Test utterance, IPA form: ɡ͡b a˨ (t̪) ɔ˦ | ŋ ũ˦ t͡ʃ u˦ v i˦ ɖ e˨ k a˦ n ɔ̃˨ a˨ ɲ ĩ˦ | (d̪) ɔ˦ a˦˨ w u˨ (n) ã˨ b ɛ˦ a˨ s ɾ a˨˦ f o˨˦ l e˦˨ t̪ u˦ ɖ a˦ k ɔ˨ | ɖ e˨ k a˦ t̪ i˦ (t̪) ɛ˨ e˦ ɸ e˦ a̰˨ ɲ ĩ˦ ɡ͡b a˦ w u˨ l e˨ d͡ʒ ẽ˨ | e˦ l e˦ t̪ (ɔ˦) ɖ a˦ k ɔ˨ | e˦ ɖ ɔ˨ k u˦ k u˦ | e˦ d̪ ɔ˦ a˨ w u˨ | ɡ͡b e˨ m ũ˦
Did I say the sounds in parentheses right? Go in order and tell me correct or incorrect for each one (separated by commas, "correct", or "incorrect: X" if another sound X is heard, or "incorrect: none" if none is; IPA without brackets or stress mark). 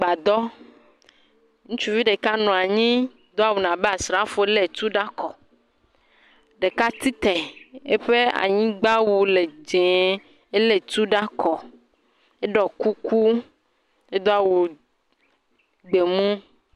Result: incorrect: d̪, correct, correct, correct, incorrect: u˦